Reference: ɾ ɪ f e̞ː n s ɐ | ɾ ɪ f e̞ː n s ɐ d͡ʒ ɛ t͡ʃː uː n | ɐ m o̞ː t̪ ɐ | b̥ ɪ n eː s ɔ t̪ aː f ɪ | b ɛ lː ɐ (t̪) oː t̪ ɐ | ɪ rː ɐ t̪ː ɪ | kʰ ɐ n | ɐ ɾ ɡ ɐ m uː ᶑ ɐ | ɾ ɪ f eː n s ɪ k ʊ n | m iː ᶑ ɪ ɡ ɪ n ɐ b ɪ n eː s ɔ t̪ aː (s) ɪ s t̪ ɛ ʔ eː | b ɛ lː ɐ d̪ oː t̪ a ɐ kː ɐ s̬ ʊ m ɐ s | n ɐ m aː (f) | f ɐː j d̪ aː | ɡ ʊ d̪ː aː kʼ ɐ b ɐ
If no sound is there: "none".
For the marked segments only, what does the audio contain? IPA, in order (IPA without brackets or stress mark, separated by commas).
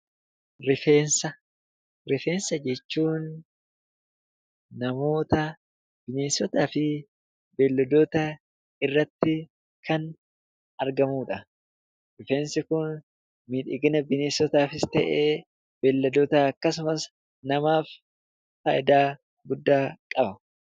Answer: d̪, f, f